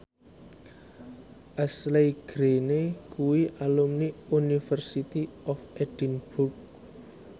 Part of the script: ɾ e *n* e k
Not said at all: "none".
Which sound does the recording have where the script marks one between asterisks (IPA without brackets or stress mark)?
n